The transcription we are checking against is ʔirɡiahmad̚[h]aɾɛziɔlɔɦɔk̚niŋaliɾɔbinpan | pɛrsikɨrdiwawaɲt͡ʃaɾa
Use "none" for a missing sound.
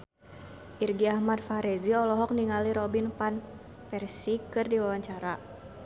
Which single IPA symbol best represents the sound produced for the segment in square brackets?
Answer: f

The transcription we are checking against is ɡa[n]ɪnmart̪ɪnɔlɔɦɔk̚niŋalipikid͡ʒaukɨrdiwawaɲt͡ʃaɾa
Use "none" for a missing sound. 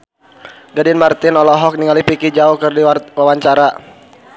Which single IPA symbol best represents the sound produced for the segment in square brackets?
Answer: d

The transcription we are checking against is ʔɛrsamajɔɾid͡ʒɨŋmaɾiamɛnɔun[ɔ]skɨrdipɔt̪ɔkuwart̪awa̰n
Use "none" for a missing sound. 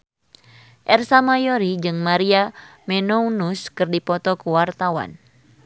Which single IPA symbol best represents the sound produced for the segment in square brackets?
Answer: u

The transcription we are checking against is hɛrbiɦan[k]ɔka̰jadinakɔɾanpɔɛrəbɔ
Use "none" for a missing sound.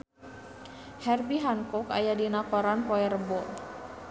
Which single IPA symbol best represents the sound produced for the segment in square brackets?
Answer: k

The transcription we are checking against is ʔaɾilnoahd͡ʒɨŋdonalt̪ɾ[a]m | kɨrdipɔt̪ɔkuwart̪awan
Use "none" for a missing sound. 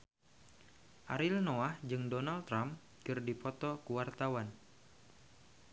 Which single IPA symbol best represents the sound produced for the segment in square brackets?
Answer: a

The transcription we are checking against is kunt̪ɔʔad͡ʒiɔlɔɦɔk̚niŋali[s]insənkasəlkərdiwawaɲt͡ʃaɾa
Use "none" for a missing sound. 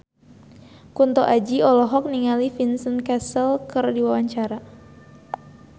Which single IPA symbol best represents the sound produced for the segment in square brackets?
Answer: f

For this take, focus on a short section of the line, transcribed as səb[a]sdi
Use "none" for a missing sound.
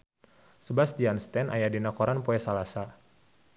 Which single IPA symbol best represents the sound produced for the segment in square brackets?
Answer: a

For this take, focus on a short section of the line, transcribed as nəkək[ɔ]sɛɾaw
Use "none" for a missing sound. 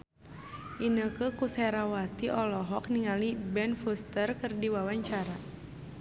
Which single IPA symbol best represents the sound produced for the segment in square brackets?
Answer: u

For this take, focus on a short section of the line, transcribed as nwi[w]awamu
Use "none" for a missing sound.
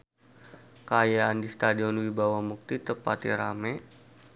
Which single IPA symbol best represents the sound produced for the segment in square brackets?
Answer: b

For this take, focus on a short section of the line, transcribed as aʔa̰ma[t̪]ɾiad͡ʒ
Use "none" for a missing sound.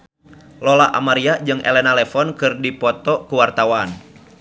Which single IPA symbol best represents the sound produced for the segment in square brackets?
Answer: none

